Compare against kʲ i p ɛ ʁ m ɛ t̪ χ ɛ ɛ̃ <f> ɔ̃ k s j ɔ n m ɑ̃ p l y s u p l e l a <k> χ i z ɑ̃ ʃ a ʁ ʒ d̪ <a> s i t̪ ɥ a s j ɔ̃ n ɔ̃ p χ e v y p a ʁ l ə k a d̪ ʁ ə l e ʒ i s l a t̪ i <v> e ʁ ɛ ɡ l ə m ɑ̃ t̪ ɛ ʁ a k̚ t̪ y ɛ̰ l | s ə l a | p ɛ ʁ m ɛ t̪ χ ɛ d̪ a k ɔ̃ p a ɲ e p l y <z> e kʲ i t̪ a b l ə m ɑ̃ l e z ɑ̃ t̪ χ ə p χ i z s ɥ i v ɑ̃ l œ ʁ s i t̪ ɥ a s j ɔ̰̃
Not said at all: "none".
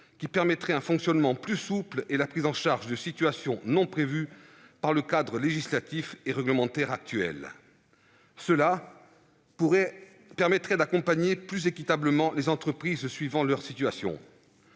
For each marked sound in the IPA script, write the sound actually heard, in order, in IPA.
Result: f, p, ə, f, z

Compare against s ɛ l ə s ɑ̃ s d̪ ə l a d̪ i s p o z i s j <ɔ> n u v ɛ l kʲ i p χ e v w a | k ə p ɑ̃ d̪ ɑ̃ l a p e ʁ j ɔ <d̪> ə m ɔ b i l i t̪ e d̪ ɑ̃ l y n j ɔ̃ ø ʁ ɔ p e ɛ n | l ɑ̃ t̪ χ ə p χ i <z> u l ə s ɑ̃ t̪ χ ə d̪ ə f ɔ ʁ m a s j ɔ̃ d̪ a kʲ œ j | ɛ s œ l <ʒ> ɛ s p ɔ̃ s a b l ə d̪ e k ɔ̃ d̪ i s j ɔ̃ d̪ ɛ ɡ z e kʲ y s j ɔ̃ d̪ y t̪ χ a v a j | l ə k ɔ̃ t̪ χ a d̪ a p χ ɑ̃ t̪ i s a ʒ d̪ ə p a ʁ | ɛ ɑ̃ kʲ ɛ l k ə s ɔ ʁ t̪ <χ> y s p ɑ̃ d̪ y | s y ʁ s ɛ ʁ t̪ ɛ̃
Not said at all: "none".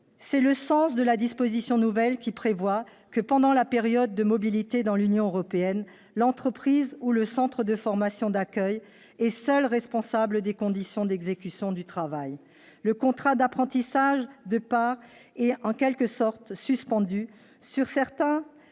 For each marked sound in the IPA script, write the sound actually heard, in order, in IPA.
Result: ɔ̃, d̪ː, z, ʁ, s

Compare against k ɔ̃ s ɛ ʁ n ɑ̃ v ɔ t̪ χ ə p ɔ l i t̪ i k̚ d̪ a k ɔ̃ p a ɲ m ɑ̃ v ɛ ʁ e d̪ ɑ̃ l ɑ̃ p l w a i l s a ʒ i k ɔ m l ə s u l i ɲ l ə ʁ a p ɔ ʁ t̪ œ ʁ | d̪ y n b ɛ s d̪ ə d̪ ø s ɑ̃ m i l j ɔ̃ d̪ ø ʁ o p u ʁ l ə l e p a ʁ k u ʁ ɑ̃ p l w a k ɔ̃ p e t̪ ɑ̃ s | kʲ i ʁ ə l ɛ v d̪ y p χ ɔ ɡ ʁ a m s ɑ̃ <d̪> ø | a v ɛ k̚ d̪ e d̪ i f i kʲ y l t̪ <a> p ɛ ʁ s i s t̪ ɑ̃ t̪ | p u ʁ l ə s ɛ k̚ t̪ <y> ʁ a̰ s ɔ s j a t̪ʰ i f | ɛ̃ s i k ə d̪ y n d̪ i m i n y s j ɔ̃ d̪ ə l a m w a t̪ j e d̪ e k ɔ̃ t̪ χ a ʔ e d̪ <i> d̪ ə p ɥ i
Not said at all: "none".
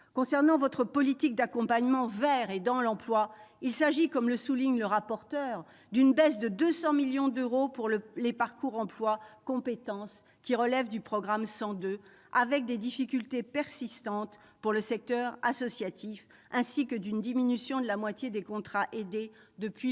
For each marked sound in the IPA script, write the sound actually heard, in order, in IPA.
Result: d̪, e, œ, e

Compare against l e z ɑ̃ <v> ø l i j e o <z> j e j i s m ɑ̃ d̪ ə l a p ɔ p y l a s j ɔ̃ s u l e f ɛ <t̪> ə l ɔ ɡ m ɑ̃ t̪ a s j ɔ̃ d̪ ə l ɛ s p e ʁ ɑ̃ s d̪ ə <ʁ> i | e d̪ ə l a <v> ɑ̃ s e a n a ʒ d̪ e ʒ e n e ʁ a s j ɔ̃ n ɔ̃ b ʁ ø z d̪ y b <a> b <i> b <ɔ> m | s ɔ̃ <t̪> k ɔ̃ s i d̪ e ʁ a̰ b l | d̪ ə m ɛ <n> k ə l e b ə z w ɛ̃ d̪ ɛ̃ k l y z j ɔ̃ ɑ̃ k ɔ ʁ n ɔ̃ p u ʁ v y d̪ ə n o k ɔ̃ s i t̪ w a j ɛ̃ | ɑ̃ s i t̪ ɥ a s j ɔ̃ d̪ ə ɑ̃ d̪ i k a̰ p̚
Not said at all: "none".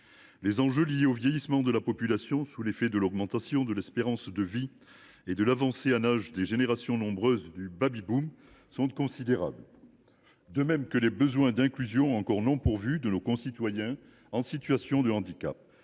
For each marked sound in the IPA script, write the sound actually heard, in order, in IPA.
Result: ʒ, v, d̪, v, v, a, i, u, t̪, m

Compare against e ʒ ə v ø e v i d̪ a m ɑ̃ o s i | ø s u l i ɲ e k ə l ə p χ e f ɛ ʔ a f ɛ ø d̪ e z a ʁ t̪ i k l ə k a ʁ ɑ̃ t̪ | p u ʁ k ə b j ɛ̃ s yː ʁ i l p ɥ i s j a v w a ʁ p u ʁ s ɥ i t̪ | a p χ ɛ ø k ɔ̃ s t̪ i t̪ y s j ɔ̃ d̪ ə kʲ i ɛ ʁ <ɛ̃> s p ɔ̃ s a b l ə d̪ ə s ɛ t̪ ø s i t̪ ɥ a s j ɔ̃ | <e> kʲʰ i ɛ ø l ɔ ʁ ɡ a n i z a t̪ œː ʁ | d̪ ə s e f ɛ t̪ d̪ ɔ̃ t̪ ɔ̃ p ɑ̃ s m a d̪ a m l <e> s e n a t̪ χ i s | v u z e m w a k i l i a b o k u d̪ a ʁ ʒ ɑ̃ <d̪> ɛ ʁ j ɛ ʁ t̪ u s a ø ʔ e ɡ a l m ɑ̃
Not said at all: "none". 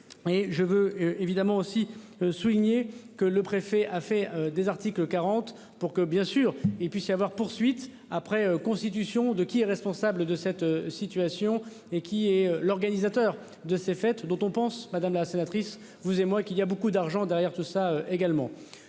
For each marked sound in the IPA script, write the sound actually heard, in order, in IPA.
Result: ɛ, e, a, d̪

